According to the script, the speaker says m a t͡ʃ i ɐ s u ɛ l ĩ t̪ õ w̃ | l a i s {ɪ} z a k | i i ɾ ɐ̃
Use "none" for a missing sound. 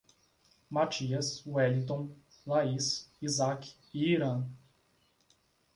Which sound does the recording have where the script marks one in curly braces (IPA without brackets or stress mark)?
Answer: i